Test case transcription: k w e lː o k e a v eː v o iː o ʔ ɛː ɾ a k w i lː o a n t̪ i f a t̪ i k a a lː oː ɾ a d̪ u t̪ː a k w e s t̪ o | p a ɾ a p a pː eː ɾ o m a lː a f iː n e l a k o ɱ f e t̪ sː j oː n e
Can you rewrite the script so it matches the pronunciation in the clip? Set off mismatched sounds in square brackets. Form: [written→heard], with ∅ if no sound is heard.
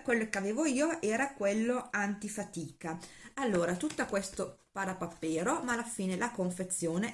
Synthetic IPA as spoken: k w e lː o k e a v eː v o iː o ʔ ɛː ɾ a k w [i→e] lː o a n t̪ i f a t̪ [i→iː] k a a lː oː ɾ a [d̪→t̪] u t̪ː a k w e s t̪ o | p a ɾ a p a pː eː ɾ o m a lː a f iː n e l a k o ɱ f e t̪ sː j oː n e